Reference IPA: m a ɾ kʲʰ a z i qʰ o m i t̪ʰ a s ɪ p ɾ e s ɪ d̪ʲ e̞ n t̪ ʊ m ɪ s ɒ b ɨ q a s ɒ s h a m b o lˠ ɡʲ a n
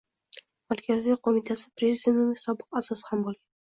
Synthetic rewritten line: m a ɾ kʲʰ a z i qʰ o m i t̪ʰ a s ɪ p ɾ e z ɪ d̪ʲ e̞ n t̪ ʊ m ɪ s ɒ b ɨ q a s ɒ s h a m b o lˠ ɡʲ a n